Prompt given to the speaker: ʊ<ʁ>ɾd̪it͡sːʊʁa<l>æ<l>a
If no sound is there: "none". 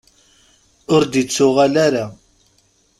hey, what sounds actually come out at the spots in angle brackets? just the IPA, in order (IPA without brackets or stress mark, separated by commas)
none, l, ɾ